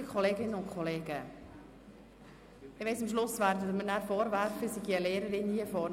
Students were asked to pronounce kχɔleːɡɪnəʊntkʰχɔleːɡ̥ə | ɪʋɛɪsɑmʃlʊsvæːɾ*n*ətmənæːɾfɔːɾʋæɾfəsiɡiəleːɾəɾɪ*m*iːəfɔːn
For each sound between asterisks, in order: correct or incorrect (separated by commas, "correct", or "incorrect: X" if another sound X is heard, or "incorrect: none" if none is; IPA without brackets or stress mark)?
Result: incorrect: d, incorrect: n